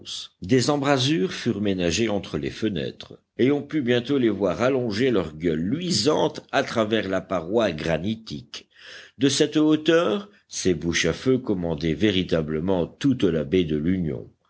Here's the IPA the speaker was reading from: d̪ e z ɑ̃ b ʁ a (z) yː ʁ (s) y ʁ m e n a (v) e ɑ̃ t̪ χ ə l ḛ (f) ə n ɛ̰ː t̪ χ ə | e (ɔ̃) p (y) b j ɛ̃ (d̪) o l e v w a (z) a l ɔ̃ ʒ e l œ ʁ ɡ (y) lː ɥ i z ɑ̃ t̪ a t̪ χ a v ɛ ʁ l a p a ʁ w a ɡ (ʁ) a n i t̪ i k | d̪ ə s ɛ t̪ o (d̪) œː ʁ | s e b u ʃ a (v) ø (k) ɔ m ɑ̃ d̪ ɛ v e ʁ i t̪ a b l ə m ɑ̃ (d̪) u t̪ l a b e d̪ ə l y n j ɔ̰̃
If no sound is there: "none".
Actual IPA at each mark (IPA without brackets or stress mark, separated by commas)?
z, f, ʒ, f, ɔ̃, y, t̪, ʁ, œ, ʁ, t̪, f, k, t̪